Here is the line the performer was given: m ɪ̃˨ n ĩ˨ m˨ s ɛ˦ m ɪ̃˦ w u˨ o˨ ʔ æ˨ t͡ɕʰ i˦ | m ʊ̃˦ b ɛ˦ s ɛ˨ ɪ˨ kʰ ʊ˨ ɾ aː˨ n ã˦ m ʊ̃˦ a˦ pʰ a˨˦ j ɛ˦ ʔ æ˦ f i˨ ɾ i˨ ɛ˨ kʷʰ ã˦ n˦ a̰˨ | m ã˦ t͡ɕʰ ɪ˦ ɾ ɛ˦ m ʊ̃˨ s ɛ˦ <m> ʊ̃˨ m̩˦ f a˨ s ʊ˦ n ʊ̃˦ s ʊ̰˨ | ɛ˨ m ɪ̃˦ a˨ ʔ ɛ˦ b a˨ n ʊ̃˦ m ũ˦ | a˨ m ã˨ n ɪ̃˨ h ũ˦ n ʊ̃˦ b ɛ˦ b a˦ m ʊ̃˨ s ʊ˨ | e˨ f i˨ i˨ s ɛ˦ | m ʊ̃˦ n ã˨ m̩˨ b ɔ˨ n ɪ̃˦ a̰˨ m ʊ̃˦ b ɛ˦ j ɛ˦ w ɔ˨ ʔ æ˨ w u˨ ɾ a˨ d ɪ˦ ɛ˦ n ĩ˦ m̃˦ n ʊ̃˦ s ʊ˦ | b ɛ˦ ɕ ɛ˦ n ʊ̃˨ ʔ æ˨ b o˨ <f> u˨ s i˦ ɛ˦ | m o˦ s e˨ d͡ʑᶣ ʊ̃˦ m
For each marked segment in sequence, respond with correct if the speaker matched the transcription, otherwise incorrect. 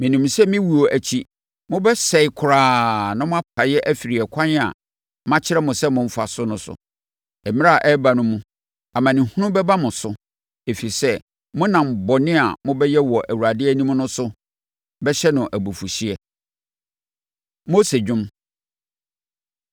correct, correct

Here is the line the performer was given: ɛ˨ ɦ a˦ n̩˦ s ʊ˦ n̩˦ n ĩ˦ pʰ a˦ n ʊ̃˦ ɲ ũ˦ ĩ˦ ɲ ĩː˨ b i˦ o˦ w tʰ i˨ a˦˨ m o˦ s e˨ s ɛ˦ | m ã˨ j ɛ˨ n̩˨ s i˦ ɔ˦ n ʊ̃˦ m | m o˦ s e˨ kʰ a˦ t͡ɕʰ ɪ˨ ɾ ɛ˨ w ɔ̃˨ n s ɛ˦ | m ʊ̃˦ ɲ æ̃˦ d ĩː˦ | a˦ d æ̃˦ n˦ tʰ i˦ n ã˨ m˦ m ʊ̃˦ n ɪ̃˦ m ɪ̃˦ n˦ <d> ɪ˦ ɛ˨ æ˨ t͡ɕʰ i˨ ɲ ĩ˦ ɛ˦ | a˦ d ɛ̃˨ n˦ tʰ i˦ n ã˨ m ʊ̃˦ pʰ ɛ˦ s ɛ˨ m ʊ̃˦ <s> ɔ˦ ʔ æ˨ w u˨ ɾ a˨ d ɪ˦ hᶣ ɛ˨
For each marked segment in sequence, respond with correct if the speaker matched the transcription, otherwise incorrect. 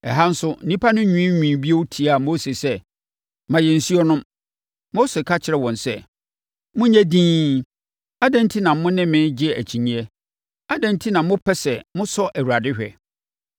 incorrect: d͡ʑ, correct

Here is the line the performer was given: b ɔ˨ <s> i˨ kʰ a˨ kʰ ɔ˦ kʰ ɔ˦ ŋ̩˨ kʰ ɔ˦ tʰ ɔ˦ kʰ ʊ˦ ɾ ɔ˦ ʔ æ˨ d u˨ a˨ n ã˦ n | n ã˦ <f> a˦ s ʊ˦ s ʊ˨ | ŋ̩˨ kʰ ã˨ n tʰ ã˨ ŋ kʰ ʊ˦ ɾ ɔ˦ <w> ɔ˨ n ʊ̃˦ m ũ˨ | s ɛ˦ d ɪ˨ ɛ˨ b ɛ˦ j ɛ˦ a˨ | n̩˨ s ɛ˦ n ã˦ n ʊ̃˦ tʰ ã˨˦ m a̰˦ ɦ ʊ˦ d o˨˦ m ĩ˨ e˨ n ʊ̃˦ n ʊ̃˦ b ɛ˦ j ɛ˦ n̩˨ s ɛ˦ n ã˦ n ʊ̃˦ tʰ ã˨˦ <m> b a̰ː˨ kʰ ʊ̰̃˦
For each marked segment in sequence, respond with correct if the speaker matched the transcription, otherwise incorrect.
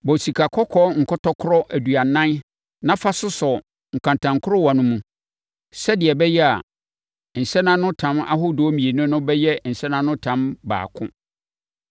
correct, correct, correct, correct

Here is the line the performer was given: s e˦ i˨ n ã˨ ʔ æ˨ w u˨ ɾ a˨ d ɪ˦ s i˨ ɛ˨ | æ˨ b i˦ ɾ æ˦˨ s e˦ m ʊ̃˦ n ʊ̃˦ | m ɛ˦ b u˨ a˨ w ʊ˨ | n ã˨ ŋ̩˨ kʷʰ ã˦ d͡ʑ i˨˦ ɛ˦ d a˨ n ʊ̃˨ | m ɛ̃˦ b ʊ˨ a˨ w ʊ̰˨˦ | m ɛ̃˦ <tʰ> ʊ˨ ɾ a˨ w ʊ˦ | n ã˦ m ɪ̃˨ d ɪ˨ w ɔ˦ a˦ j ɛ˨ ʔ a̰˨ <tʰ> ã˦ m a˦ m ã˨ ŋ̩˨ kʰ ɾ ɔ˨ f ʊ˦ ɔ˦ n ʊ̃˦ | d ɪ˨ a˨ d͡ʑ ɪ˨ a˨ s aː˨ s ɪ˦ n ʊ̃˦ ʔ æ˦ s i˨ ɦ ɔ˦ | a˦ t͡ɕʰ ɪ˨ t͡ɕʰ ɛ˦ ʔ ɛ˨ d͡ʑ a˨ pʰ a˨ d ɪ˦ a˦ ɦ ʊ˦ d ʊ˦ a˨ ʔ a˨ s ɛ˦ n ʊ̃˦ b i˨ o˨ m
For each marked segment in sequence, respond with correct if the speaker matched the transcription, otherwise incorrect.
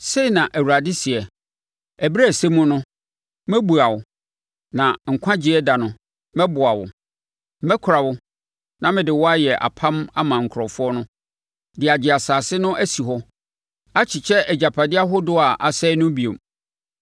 incorrect: kʰ, incorrect: pʰ

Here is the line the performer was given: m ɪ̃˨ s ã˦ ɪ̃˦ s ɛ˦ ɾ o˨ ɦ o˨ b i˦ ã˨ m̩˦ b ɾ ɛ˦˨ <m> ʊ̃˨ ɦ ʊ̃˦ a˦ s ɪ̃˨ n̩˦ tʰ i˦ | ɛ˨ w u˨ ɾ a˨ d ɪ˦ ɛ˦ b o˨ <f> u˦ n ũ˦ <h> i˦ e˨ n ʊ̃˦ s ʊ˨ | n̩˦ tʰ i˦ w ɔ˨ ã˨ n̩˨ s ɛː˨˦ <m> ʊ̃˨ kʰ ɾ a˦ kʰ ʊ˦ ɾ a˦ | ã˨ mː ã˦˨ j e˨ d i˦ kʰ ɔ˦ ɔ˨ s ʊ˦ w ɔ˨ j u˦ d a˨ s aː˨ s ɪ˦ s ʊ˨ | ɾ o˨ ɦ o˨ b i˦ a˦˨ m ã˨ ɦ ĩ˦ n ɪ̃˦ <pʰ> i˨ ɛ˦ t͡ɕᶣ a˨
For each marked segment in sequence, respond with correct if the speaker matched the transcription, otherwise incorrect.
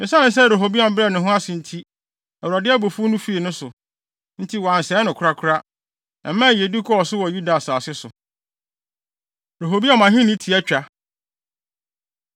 incorrect: n, correct, incorrect: f, incorrect: n, incorrect: tʰ

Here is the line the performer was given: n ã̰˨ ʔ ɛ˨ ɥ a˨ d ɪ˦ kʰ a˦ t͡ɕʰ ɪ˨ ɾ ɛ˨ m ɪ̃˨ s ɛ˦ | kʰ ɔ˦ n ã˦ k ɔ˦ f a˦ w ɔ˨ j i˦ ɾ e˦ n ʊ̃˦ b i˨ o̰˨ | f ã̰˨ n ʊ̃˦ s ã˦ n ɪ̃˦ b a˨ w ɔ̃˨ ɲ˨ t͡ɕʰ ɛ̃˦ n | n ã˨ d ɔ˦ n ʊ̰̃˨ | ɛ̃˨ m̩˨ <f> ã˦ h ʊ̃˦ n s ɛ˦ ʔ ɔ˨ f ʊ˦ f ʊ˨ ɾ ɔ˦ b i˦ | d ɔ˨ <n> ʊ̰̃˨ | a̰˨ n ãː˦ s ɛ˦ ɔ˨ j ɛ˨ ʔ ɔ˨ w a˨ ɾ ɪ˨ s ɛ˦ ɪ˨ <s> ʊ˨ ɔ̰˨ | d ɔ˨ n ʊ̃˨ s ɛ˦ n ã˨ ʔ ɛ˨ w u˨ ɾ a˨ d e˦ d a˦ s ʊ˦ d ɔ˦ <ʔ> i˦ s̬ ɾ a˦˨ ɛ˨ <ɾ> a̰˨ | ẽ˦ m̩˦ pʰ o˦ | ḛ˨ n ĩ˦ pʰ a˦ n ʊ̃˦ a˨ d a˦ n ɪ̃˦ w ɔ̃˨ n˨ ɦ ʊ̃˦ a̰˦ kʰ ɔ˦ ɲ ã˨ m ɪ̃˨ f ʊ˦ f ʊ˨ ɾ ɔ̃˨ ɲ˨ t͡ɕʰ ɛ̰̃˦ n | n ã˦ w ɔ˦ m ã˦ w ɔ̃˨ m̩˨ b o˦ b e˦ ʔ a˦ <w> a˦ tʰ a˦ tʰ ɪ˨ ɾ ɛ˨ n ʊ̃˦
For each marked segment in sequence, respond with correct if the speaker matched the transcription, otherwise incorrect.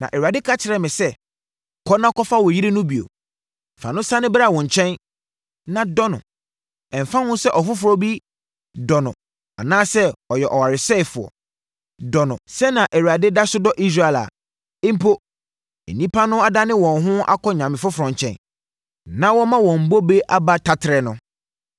correct, correct, incorrect: f, correct, incorrect: l, incorrect: b

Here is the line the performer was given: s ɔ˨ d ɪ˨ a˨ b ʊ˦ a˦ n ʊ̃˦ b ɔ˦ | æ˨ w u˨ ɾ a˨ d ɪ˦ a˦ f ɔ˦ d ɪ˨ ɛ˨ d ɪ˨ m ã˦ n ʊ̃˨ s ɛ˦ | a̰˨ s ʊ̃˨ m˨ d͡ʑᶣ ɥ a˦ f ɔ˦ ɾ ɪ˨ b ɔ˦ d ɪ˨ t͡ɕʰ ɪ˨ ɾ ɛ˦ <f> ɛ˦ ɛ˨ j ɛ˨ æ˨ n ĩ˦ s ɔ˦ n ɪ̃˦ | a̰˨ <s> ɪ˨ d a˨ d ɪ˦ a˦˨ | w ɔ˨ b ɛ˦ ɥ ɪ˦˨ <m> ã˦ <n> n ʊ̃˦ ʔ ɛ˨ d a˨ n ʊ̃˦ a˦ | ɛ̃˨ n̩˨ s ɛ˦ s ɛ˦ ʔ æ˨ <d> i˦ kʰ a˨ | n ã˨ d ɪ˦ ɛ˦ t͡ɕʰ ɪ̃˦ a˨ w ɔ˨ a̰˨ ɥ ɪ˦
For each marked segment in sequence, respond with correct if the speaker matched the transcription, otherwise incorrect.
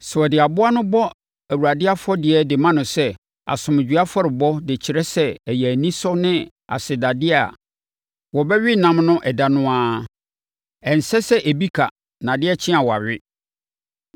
incorrect: s, correct, incorrect: n, incorrect: m, incorrect: b

